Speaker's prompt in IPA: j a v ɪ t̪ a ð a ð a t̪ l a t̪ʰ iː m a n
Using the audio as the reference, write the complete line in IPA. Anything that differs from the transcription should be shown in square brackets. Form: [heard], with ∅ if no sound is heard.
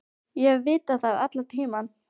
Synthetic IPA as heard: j [ɛ] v [ɪː] t̪ a [θ] a ð a t̪ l a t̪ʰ iː m a n